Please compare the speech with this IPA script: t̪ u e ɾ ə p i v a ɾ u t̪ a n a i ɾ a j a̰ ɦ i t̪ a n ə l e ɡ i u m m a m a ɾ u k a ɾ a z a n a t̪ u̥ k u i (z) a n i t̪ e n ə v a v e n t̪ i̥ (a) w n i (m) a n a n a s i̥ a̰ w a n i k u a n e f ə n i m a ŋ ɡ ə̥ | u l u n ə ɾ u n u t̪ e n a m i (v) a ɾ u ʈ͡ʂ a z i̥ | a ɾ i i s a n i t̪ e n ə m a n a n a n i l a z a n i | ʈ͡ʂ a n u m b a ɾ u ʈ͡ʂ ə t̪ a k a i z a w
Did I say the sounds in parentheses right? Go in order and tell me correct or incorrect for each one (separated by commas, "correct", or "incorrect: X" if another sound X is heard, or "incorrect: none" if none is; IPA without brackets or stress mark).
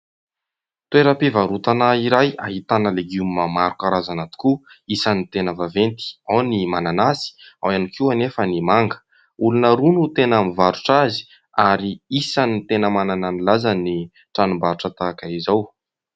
incorrect: s, correct, correct, correct